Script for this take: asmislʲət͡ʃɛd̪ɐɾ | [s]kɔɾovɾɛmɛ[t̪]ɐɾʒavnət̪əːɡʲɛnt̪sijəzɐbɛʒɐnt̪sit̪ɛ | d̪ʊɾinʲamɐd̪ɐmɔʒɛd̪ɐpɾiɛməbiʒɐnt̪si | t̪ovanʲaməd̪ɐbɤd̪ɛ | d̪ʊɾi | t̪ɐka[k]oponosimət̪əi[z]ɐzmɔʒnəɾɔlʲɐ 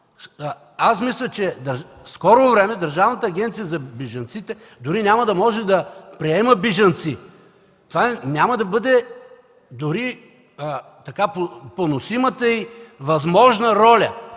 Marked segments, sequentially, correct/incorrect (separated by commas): correct, incorrect, incorrect, incorrect